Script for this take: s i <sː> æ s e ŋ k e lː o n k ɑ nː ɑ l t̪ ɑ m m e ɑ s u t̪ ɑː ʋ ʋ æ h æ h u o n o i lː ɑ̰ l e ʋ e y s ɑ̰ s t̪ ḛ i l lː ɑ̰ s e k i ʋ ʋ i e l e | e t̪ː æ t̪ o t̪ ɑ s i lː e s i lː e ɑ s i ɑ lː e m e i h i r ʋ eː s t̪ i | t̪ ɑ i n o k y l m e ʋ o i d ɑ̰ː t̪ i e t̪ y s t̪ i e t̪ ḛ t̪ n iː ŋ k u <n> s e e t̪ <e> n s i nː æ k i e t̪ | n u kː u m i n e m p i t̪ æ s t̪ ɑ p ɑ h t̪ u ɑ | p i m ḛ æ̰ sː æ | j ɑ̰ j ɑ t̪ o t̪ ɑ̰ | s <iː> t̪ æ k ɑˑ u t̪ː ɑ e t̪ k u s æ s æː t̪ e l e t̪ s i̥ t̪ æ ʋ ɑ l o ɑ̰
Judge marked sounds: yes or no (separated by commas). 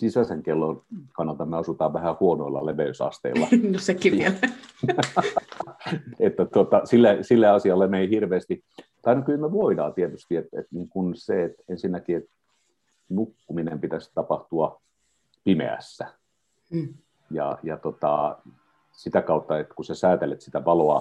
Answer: no, yes, yes, no